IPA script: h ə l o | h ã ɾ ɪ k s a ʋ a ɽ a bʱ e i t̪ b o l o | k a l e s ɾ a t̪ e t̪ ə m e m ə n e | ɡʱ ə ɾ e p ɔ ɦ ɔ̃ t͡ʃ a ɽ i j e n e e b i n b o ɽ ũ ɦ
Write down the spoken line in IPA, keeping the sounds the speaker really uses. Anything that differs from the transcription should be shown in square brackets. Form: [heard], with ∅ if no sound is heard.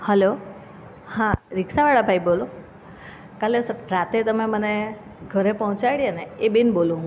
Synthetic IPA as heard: h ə l o | h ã ɾ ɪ k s a ʋ a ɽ a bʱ [a] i [∅] b o l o | k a l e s ɾ a t̪ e t̪ ə m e m ə n e | ɡʱ ə ɾ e p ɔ ɦ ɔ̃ t͡ʃ a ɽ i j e n e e b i n b o [l] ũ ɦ